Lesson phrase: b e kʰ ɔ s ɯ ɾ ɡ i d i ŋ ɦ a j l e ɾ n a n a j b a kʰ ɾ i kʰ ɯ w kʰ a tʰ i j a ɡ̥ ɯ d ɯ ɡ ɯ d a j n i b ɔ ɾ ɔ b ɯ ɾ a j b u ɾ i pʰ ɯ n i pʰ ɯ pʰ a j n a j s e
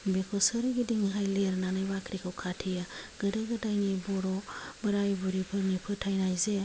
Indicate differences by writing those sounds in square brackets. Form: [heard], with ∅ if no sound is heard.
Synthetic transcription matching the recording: b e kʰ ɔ s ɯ ɾ ɡ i d i ŋ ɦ a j l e ɾ n a n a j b a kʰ ɾ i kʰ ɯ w kʰ a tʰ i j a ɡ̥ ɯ d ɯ ɡ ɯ d a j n i b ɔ ɾ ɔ b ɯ ɾ a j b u ɾ i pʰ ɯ n i pʰ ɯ [tʰ] a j n a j [z] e